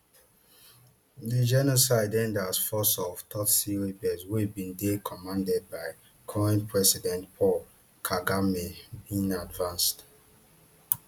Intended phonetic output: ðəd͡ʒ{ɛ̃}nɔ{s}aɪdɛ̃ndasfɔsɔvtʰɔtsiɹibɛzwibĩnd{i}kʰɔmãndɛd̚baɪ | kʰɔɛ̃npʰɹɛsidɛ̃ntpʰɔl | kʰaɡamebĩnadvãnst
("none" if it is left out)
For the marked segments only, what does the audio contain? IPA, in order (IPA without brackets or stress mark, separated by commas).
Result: ɛ, s, e